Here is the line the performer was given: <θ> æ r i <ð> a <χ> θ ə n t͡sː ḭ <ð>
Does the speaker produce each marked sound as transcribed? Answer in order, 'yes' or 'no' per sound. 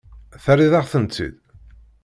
yes, yes, no, yes

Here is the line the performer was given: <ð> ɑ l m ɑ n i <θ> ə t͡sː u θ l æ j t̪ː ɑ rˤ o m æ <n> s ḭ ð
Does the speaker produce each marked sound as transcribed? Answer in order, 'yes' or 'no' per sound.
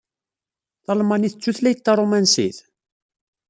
no, yes, yes

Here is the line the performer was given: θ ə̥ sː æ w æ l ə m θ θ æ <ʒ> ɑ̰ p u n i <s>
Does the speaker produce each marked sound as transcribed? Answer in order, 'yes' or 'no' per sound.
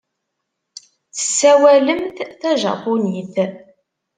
yes, no

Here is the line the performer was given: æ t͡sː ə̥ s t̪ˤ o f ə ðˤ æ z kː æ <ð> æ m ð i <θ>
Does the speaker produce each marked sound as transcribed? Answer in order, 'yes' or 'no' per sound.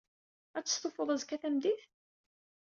no, yes

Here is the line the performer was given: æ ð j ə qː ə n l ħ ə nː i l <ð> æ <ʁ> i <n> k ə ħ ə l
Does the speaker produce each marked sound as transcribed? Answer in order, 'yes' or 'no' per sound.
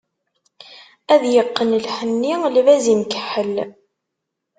no, no, no

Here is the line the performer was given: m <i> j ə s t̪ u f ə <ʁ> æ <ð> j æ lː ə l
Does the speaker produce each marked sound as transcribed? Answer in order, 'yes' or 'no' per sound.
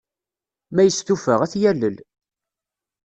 no, yes, no

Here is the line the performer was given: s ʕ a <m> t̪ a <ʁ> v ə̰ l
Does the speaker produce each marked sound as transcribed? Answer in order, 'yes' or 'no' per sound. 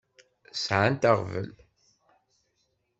no, yes

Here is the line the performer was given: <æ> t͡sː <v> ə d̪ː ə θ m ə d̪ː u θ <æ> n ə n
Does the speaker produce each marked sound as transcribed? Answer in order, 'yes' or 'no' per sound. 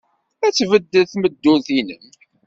yes, yes, no

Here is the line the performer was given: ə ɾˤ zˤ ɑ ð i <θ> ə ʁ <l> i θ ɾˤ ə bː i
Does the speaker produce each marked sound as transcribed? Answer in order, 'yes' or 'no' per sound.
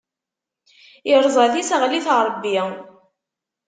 no, yes

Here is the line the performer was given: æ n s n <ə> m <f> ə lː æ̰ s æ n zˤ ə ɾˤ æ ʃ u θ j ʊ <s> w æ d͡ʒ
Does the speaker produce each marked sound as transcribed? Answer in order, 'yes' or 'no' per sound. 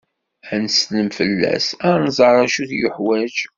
yes, yes, no

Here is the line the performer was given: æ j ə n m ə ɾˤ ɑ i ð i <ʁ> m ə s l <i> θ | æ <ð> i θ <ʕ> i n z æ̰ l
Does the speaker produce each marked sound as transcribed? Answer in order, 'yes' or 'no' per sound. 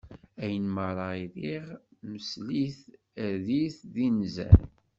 yes, yes, yes, no

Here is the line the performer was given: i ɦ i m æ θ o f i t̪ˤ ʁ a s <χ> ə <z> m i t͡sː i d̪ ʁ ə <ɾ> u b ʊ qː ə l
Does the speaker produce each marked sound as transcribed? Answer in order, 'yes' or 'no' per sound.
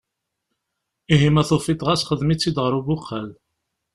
yes, no, yes

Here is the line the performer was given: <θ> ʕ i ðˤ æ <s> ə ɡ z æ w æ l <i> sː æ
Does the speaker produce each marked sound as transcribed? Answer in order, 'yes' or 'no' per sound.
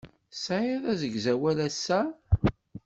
no, no, no

